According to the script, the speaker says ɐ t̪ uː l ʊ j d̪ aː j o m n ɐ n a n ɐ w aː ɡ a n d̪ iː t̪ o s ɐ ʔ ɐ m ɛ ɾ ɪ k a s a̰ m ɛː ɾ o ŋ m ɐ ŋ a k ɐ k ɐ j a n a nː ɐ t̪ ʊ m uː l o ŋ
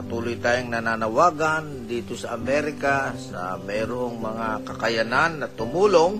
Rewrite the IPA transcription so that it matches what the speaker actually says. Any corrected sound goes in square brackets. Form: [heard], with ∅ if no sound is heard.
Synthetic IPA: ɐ t̪ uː l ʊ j [t̪] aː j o [ŋ] n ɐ n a n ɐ w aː ɡ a n d̪ iː t̪ o s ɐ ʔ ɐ m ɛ ɾ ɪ k a s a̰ m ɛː ɾ o ŋ m ɐ ŋ a k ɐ k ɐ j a n a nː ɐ t̪ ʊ m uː l o ŋ